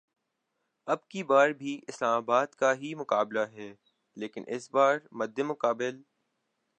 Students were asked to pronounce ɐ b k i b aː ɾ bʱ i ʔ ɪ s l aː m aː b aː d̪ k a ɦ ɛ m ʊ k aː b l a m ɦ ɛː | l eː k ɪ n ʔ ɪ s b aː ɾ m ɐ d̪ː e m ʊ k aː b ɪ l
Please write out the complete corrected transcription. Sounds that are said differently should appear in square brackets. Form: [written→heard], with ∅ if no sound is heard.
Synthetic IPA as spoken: ɐ b k i b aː ɾ bʱ i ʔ ɪ s l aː m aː b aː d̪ k a ɦ [ɛ→i] m ʊ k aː b l a [m→∅] ɦ ɛː | l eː k ɪ n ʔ ɪ s b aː ɾ m ɐ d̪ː e m ʊ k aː b ɪ l